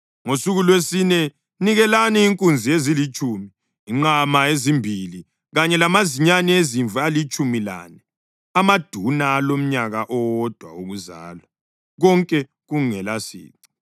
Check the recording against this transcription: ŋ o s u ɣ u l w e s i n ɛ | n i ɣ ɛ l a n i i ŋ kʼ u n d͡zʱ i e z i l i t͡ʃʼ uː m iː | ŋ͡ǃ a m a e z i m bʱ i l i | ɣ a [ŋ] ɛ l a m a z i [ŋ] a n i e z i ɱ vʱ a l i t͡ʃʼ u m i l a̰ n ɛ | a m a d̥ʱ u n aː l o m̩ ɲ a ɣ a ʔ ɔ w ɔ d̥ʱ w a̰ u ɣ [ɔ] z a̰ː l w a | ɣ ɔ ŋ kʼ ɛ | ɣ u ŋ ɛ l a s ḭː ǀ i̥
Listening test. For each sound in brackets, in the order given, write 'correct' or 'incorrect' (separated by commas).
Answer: incorrect, incorrect, incorrect